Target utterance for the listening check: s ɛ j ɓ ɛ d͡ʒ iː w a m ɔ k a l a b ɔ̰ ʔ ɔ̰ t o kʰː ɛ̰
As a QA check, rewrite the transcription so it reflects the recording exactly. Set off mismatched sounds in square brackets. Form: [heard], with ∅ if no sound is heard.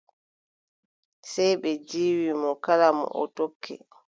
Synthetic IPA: s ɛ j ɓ ɛ d͡ʒ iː w [i] m ɔ k a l a [m] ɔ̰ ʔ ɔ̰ t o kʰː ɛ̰